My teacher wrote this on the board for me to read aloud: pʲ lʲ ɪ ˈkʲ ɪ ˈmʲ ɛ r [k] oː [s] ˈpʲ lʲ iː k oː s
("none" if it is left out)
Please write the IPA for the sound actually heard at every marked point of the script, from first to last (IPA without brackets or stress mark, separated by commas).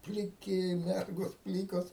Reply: ɡ, s